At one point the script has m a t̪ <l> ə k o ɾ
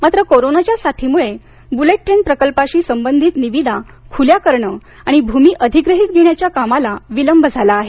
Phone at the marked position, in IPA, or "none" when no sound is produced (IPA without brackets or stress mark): ɾ